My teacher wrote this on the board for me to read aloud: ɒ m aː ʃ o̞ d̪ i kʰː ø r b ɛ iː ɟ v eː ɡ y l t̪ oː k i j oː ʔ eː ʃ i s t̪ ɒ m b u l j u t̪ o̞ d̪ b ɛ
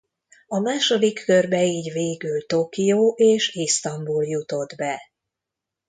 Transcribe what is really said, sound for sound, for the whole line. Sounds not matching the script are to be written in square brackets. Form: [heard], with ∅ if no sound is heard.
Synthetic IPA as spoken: ɒ m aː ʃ o̞ d̪ i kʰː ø r b ɛ iː ɟ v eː ɡ y l t̪ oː k i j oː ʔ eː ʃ i s t̪ ɒ m b u l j u t̪ o̞ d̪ b ɛ